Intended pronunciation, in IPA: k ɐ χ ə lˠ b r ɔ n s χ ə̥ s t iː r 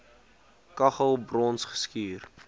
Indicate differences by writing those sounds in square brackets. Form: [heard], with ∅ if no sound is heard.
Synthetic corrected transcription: k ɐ χ ə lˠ b r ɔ n s χ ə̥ s [k] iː r